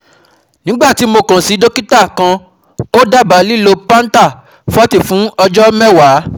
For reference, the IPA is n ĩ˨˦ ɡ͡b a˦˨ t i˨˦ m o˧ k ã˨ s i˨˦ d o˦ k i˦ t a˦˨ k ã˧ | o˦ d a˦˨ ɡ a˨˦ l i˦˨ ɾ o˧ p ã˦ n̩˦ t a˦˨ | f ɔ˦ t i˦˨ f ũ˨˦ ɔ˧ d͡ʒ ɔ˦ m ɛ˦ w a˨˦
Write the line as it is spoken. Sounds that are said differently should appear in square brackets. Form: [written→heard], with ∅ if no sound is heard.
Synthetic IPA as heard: n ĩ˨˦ ɡ͡b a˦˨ t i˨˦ m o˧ k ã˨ s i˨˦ d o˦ k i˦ t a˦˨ k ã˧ | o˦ d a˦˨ [ɡ→b] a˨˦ l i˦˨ [ɾ→l] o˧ p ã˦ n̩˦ t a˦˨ | f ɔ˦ t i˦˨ f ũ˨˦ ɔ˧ d͡ʒ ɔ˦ m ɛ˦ w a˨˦